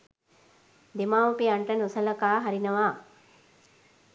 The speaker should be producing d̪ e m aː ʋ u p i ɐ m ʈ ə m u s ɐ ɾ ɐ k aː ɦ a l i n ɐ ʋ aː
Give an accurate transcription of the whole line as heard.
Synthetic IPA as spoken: d̪ e m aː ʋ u p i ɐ ɳ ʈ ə n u s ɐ l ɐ k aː ɦ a ɾ i n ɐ ʋ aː